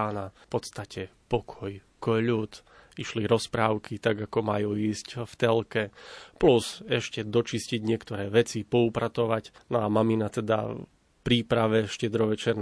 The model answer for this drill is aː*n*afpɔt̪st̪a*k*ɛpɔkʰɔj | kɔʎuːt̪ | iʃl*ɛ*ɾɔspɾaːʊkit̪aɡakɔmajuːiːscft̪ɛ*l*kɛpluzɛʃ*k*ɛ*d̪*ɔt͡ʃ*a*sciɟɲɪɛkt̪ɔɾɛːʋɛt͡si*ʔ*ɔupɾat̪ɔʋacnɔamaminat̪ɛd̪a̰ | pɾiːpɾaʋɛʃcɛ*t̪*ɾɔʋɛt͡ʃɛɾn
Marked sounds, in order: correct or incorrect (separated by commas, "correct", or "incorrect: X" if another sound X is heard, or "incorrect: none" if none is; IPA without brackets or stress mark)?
correct, incorrect: c, incorrect: i, correct, incorrect: c, correct, incorrect: i, incorrect: p, incorrect: d̪